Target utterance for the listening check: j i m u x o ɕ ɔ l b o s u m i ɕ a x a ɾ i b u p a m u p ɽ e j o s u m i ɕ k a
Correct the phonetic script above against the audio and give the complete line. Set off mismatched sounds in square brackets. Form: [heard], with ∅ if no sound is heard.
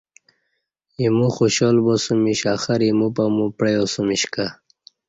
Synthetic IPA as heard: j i m u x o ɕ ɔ l b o s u m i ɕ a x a ɾ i [m] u p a m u p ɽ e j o s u m i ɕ k a

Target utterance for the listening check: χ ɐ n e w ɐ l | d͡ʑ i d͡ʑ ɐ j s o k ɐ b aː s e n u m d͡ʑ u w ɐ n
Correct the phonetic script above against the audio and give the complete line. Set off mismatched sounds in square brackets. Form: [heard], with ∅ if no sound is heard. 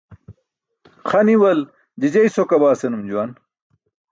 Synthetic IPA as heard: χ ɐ n [i] w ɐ l | d͡ʑ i d͡ʑ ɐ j s o k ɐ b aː s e n u m d͡ʑ u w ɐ n

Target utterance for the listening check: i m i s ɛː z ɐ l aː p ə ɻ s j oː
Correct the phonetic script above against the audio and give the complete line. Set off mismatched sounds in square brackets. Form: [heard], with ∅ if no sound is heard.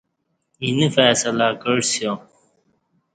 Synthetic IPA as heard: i [n] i [f] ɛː [s] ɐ l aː [k] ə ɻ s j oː

